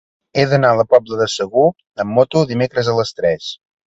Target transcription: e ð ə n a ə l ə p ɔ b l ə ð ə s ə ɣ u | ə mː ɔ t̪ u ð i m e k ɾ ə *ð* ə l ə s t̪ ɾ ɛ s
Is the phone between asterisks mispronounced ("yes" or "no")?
yes